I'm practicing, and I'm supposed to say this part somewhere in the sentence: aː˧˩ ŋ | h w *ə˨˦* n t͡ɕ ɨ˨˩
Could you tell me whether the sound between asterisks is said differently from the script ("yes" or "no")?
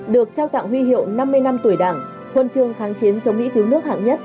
yes